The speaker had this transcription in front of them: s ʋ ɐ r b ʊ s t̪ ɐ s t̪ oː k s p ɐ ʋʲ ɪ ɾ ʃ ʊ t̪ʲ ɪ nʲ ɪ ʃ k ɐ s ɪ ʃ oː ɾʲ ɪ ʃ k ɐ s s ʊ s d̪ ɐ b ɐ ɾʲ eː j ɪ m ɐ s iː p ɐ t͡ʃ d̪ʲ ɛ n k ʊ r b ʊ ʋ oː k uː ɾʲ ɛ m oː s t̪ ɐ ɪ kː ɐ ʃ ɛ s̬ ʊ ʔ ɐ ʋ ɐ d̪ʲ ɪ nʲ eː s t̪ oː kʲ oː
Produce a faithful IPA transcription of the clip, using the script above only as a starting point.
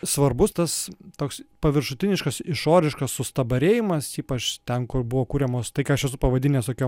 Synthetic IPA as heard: s ʋ ɐ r b ʊ s t̪ ɐ s t̪ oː k s p ɐ ʋʲ ɪ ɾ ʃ ʊ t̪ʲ ɪ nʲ ɪ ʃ k ɐ s ɪ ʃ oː ɾʲ ɪ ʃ k ɐ s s ʊ s t̪ ɐ b ɐ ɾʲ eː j ɪ m ɐ s iː p ɐ t͡ʃ t̪ʲ ɛ n k ʊ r b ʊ ʋ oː k uː ɾʲ ɛ m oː s t̪ ɐ ɪ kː ɐ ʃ ɛ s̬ ʊ p ɐ ʋ ɐ d̪ʲ ɪ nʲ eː s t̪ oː kʲ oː